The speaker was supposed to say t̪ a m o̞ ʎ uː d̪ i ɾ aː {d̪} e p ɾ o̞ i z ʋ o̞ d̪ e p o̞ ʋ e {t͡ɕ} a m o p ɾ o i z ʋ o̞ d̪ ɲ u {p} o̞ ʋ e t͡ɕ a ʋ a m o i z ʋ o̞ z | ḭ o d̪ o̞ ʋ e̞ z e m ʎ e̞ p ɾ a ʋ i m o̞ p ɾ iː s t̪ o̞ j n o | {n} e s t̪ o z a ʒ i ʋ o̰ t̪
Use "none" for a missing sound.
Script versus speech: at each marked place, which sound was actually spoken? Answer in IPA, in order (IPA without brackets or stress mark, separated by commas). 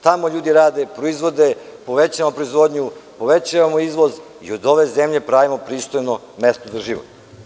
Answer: d̪, t͡ɕ, p, m